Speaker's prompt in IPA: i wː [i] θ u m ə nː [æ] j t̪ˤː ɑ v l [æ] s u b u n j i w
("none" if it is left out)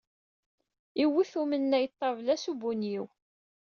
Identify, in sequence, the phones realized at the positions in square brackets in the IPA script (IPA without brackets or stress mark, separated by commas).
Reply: i, æ, æ